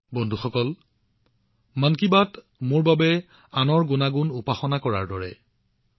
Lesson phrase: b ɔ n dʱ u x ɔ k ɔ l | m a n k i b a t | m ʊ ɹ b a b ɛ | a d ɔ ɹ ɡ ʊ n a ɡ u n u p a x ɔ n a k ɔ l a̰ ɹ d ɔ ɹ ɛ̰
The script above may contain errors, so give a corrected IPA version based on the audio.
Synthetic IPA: b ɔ n dʱ u x ɔ k ɔ l | m a n k i b a t | m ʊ ɹ b a b ɛ | a n ɔ ɹ ɡ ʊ n a ɡ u n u p a x ɔ n a k ɔ ɹ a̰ ɹ d ɔ ɹ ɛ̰